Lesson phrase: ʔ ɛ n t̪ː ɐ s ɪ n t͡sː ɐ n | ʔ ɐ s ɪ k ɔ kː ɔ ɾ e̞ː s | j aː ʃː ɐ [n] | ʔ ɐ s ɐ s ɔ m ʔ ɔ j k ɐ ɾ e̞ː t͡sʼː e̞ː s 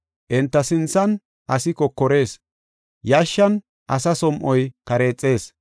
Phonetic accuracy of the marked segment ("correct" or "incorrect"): correct